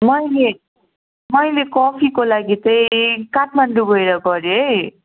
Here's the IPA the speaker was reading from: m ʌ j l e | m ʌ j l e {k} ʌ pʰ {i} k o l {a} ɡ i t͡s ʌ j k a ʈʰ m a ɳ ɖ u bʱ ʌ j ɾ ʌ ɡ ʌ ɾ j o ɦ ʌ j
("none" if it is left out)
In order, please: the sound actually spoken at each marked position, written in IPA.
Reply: k, i, a

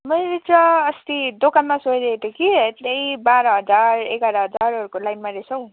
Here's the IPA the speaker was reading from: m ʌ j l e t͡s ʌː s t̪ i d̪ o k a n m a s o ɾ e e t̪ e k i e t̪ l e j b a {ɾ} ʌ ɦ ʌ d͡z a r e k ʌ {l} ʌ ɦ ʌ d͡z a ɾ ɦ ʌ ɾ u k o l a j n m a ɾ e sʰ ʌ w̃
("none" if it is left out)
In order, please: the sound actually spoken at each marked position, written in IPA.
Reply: ɾ, ɾ

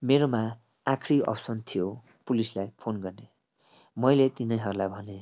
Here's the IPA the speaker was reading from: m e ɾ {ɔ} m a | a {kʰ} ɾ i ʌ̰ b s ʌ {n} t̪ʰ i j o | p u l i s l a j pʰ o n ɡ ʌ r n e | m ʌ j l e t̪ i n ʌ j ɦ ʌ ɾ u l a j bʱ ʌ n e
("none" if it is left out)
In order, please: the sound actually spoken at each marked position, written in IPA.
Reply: o, kʰ, n

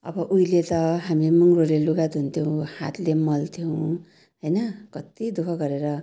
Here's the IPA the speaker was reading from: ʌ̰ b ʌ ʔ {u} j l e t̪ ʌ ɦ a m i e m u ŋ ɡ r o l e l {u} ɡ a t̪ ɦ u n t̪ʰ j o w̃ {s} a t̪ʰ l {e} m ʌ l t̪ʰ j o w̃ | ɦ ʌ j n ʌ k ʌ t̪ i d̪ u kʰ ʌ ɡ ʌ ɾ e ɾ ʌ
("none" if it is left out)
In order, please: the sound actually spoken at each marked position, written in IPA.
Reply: u, u, h, e

